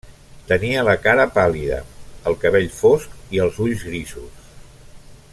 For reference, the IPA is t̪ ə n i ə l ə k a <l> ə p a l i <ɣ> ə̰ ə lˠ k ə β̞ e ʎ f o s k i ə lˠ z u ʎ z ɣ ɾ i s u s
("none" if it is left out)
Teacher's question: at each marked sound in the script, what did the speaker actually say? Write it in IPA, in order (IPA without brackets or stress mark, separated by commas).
ɾ, ð